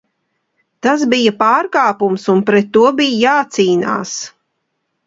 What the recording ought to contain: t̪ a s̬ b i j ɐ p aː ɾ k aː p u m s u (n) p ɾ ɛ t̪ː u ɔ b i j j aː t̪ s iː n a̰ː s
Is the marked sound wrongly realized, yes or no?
no